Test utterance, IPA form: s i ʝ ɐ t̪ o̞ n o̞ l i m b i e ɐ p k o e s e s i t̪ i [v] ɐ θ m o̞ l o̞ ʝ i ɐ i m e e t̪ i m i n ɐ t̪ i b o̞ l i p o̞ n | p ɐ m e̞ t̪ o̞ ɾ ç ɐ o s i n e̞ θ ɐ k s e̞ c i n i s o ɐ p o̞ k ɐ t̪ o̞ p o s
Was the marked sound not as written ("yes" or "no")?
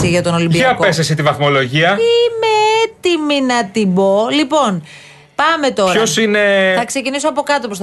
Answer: no